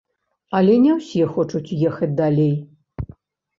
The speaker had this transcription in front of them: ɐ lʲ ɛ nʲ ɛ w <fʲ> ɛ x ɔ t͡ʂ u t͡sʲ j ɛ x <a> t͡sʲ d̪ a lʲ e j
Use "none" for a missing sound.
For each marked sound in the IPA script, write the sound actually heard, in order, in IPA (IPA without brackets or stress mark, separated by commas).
sʲ, ɐ